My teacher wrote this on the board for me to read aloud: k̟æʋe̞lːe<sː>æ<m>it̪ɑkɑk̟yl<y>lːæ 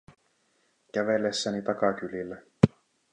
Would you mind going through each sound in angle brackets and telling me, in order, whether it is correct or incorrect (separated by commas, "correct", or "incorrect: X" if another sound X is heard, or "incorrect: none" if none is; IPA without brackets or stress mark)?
correct, incorrect: n, incorrect: i